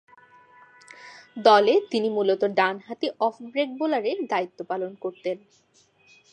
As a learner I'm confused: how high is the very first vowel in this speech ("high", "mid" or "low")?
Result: mid